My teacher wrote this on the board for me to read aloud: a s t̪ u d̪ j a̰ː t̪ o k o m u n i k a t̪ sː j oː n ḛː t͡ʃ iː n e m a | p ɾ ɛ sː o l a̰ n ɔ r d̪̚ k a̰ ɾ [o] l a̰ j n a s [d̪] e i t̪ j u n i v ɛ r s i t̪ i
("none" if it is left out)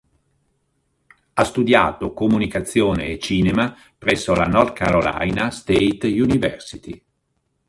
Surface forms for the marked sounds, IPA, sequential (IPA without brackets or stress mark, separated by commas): o, t̪